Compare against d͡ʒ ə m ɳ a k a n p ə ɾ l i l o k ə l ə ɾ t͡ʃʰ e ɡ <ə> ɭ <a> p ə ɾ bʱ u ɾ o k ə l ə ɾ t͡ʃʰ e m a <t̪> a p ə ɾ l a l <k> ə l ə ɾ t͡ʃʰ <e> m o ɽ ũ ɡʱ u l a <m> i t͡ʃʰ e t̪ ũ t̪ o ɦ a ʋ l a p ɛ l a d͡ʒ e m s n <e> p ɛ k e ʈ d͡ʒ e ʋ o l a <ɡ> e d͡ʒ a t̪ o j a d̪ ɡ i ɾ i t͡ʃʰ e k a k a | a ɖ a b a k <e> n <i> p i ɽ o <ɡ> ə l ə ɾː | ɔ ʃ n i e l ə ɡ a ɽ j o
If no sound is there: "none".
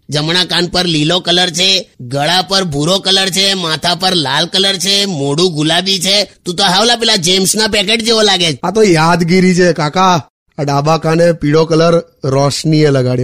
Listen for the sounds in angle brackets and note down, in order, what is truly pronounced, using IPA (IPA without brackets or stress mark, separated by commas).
ə, a, t̪ʰ, k, e, b, a, ɡ, a, e, k